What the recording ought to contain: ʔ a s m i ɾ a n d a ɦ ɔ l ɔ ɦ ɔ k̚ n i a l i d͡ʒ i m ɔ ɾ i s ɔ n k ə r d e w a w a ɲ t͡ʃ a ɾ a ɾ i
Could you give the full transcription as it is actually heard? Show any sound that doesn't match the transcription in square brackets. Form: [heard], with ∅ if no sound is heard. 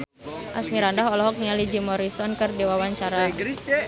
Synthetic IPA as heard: ʔ a s m i ɾ a n d a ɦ ɔ l ɔ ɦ ɔ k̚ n i a l i d͡ʒ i m ɔ ɾ i s ɔ n k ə r d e w a w a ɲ t͡ʃ a ɾ a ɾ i